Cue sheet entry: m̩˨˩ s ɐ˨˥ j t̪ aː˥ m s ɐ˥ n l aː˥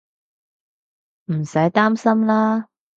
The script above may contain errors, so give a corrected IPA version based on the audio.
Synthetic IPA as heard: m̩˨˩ s ɐ˨˥ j t̪ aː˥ m s ɐ˥ m l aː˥